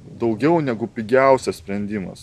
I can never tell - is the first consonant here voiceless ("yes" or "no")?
no